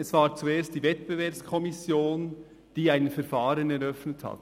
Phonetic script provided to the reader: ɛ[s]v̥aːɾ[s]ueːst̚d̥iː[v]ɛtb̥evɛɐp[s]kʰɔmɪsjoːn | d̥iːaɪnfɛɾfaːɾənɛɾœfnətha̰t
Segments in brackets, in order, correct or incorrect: correct, incorrect, correct, correct

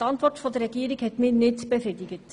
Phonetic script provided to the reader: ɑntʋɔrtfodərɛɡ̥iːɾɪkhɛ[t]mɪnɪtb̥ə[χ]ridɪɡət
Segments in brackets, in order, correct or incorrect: correct, incorrect

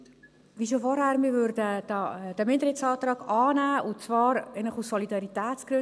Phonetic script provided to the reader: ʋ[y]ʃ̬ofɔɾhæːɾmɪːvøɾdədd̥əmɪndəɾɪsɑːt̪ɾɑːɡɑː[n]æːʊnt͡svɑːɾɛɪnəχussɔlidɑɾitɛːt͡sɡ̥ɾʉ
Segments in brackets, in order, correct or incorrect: incorrect, correct

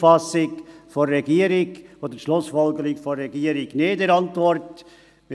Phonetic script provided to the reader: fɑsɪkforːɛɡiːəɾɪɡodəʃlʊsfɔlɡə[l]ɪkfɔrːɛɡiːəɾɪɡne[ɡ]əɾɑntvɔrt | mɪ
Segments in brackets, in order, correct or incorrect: incorrect, incorrect

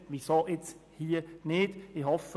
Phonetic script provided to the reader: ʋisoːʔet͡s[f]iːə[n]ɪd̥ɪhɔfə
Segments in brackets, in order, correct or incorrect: incorrect, correct

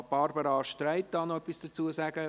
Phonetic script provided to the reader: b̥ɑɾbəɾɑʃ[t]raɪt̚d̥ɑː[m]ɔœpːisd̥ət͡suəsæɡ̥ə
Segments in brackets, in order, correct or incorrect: correct, incorrect

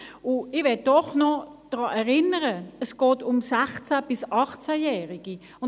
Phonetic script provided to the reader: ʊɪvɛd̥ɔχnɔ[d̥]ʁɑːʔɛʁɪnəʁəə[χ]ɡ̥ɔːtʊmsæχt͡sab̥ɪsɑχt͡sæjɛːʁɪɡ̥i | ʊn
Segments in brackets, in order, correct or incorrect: correct, incorrect

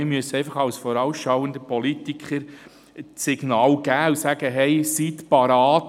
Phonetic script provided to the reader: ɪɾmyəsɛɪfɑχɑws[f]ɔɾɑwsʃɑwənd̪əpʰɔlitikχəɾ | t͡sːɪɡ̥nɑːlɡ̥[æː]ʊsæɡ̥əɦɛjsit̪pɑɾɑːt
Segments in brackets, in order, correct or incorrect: correct, correct

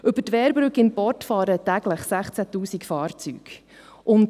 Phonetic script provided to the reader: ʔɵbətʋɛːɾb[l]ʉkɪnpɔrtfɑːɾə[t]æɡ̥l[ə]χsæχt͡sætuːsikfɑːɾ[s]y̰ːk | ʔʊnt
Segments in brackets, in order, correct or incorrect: incorrect, correct, correct, incorrect

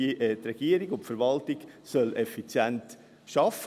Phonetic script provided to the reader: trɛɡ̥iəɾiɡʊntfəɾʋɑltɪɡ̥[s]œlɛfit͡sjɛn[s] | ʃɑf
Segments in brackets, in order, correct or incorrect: correct, incorrect

